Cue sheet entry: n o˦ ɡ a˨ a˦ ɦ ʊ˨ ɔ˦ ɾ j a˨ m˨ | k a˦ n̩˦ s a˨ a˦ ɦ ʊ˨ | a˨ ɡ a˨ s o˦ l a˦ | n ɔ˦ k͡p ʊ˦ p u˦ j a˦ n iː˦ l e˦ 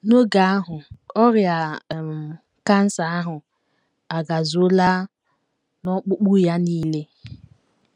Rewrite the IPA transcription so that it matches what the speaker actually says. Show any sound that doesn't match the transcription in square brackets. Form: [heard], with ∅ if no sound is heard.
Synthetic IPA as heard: n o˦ ɡ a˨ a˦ ɦ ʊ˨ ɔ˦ ɾ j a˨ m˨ | k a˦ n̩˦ s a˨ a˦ ɦ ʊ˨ | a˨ ɡ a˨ [z] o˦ l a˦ | n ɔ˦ k͡p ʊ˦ [k͡p] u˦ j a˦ n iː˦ l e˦